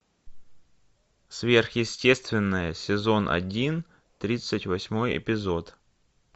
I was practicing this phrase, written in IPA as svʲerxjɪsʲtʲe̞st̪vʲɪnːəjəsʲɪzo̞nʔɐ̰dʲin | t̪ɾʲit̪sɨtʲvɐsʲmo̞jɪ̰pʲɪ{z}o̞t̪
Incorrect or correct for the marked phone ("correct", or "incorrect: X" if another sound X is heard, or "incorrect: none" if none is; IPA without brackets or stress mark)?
correct